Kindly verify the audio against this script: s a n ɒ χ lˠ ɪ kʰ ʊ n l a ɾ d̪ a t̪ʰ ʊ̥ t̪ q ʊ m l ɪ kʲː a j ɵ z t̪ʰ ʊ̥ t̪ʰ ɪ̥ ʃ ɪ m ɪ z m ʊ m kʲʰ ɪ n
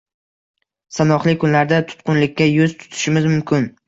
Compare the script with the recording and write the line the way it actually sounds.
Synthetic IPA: s a n ɒ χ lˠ ɪ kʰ ʊ n l a ɾ d̪ a t̪ʰ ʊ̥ t̪ q ʊ n l ɪ kʲː a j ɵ z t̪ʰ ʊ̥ t̪ʰ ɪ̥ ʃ ɪ m ɪ z m ʊ m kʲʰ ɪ n